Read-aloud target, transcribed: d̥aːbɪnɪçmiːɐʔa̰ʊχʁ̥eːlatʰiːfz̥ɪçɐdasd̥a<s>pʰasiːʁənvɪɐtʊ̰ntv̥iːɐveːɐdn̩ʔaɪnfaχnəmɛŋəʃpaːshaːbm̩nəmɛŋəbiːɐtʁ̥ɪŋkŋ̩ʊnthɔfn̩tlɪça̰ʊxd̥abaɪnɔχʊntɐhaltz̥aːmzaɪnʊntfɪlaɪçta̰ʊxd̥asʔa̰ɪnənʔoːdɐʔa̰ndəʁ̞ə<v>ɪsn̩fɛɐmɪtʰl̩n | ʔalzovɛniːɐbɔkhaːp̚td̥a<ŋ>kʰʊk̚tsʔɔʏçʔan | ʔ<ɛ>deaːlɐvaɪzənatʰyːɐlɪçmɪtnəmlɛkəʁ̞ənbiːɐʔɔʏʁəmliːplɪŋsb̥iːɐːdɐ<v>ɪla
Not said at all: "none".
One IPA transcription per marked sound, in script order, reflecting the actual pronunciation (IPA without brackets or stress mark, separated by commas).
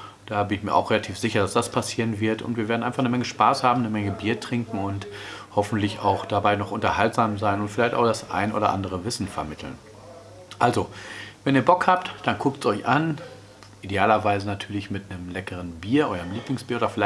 s, v, n, i, f